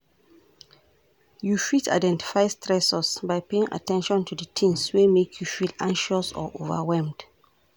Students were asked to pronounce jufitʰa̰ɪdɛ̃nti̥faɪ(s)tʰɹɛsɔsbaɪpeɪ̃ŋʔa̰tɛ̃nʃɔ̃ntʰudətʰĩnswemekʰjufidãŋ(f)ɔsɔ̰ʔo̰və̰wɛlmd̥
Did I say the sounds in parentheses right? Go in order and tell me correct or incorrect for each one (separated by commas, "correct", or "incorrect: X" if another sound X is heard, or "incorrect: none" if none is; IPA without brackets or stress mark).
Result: correct, incorrect: ʃ